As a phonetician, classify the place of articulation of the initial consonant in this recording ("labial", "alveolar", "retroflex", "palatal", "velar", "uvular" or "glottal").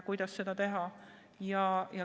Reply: velar